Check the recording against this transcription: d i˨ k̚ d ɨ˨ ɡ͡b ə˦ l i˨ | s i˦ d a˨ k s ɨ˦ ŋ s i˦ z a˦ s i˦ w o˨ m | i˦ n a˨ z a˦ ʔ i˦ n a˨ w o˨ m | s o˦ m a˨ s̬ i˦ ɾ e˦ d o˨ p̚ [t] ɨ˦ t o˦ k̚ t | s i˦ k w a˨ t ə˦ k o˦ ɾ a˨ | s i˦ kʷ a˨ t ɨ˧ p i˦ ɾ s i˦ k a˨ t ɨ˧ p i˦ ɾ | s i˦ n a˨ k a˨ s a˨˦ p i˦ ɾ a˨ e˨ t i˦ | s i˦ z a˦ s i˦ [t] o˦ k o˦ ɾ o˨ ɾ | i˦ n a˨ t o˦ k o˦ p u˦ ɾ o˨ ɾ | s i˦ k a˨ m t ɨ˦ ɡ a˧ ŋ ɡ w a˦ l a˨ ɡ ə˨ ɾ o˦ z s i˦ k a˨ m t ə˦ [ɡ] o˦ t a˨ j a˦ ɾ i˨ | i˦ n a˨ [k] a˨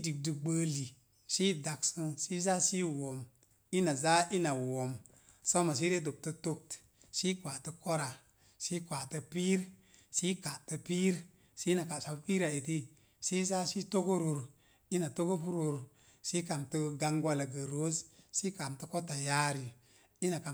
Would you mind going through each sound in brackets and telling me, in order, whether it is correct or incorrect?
correct, correct, incorrect: k, correct

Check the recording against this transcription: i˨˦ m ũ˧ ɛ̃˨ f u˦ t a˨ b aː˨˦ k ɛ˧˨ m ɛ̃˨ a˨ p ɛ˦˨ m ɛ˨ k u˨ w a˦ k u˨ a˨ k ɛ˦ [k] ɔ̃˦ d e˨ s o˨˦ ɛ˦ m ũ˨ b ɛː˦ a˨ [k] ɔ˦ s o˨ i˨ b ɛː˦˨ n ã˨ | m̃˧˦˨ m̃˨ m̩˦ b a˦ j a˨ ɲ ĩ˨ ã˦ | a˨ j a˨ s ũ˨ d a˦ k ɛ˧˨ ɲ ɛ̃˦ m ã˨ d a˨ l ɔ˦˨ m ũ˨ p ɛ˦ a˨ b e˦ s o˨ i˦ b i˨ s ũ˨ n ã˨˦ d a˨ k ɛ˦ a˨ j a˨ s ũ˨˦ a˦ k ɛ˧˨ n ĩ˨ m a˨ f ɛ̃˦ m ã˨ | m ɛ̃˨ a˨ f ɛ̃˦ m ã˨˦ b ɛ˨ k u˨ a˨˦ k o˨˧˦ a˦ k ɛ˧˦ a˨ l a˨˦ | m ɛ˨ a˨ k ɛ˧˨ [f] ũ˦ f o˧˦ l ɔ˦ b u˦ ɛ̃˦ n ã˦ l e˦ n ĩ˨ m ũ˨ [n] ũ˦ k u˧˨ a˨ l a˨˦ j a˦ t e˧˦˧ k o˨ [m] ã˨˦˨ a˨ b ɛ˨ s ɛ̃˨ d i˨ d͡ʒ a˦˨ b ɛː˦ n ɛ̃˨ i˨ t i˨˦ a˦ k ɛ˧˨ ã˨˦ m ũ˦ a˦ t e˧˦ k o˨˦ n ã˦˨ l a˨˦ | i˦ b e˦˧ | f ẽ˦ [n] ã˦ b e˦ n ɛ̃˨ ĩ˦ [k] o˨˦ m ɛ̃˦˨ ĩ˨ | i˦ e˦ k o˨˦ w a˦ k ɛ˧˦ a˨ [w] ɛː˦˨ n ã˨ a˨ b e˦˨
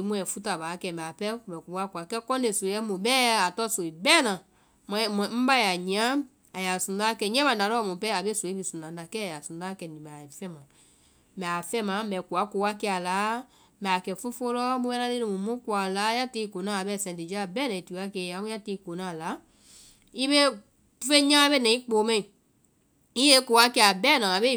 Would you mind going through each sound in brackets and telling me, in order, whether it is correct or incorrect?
correct, incorrect: t, correct, incorrect: m, incorrect: n, incorrect: ɲ, incorrect: k͡p, incorrect: b

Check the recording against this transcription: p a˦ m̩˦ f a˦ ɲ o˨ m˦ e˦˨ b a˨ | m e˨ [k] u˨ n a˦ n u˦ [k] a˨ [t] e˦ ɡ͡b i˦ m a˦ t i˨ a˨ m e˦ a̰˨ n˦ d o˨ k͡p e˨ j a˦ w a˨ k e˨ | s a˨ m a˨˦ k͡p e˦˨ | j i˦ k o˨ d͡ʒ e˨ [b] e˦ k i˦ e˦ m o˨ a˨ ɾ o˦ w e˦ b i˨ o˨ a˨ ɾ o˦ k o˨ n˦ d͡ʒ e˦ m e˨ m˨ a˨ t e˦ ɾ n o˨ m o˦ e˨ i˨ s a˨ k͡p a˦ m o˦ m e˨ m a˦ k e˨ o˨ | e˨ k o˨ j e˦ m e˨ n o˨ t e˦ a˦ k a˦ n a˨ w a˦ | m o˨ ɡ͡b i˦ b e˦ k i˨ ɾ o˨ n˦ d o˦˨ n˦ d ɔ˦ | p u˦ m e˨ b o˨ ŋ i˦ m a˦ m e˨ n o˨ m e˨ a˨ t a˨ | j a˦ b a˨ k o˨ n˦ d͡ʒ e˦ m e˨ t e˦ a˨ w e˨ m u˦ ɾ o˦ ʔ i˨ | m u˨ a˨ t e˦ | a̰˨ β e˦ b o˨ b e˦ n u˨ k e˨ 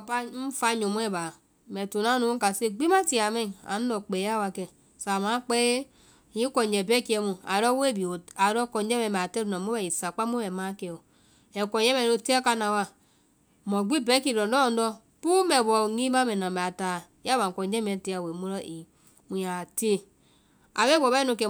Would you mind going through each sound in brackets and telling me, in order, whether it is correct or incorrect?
incorrect: t, correct, incorrect: s, correct

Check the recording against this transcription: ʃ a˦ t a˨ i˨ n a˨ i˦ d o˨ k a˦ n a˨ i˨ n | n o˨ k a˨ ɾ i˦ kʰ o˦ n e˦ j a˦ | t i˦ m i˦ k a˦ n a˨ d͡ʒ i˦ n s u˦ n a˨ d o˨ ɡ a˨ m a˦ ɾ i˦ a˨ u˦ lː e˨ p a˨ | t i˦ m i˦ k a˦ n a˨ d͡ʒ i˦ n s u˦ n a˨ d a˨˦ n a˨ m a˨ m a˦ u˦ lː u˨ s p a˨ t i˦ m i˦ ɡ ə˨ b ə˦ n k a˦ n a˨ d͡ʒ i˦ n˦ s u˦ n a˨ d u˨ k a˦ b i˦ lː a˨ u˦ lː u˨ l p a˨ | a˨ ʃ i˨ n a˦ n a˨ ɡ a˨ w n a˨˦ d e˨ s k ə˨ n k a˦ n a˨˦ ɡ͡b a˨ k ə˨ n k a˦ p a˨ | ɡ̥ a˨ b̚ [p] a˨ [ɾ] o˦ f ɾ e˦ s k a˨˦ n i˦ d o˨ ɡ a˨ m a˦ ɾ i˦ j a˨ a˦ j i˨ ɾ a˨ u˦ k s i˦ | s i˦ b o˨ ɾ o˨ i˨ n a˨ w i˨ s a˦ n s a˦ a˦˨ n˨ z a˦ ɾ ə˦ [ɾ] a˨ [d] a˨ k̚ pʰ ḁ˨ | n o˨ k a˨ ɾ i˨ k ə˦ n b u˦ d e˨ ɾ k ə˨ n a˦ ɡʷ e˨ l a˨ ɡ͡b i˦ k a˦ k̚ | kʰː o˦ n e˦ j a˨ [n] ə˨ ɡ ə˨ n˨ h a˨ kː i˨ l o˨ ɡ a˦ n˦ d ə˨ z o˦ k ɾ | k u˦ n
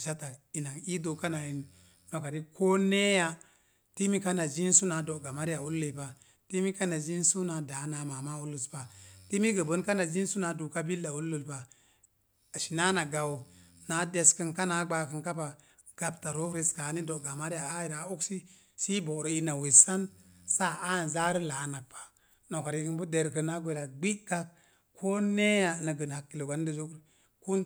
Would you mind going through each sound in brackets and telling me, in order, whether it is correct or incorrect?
incorrect: t, correct, incorrect: l, incorrect: n, correct

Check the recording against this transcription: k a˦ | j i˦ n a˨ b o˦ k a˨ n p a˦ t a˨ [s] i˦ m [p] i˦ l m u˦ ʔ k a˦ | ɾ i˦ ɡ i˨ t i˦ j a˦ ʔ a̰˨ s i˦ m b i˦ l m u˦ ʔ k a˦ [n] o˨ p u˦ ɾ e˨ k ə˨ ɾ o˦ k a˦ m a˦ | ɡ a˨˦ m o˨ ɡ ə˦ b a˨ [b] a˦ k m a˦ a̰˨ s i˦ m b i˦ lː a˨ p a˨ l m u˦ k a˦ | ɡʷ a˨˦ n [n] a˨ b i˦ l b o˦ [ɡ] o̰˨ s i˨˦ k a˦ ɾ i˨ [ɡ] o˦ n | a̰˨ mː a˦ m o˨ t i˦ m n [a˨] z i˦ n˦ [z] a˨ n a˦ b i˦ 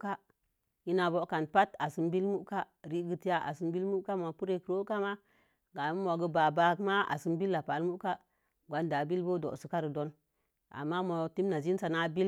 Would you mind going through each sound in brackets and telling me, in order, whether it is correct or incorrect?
correct, incorrect: b, incorrect: m, correct, incorrect: d, incorrect: d, incorrect: d, correct, incorrect: s

